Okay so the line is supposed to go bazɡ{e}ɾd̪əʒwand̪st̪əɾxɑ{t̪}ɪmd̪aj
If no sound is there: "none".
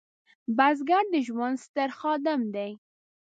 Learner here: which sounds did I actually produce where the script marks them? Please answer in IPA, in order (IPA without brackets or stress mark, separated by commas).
a, d̪